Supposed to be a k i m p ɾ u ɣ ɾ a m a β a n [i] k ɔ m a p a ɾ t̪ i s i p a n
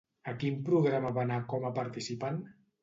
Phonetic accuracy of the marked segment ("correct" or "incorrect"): incorrect